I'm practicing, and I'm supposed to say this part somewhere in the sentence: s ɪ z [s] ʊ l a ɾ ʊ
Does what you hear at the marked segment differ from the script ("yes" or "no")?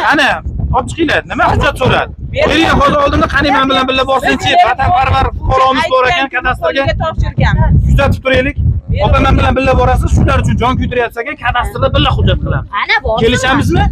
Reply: yes